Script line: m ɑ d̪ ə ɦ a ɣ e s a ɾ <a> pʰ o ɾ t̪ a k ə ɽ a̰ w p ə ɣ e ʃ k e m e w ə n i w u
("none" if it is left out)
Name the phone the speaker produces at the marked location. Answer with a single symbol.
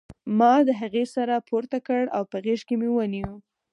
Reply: a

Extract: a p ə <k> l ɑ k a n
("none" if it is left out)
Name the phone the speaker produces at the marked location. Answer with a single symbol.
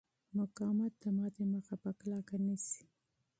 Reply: k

